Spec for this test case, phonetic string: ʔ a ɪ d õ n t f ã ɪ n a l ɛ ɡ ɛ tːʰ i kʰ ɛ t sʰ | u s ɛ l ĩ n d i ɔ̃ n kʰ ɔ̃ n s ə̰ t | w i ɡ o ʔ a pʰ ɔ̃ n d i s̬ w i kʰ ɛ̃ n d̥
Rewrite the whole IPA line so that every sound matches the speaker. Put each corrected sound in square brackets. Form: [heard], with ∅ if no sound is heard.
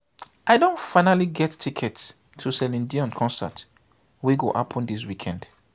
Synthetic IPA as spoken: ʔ a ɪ d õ n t f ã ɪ n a l [i] ɡ ɛ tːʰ i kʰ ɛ t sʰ | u s ɛ l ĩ n d i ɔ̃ n kʰ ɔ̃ n s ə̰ t | w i ɡ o ʔ a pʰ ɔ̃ n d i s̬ w i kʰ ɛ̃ n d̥